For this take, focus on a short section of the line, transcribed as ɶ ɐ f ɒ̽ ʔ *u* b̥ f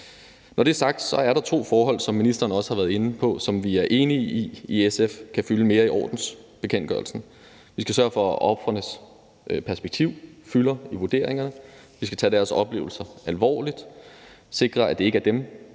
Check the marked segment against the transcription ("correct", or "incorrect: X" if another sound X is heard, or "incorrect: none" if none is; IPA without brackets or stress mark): incorrect: ɒ